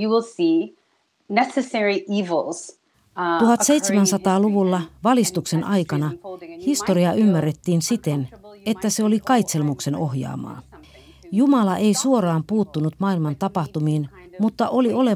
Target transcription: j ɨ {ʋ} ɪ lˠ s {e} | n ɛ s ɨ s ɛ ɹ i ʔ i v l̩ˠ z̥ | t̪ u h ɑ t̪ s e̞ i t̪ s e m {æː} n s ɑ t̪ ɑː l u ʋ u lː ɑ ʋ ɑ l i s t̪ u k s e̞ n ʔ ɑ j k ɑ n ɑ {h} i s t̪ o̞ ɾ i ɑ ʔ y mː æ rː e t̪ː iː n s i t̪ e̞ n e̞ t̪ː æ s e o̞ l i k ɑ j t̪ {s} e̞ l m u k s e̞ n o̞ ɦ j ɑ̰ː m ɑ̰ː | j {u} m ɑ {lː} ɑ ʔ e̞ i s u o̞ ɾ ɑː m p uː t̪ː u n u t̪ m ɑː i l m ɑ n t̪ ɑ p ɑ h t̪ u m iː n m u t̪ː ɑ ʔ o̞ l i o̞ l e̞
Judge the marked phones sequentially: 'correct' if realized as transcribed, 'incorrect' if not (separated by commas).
incorrect, incorrect, incorrect, correct, correct, correct, incorrect